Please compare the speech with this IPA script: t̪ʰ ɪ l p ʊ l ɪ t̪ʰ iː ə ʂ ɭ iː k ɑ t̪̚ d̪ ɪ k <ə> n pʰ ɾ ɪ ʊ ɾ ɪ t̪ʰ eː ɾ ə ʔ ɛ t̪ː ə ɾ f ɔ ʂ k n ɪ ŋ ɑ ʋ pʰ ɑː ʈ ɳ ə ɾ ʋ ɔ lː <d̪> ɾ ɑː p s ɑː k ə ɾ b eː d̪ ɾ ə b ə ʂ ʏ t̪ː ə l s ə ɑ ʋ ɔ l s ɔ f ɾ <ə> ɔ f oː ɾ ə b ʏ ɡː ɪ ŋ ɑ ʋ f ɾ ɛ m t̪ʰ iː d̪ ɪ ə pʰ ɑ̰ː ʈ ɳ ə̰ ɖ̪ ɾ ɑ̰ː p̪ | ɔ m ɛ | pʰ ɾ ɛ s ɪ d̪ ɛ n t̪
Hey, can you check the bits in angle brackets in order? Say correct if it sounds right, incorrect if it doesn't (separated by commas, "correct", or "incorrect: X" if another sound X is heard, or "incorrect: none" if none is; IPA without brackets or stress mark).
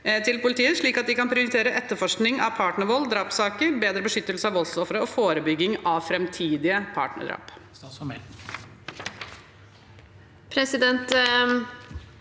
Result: incorrect: ɑ, correct, correct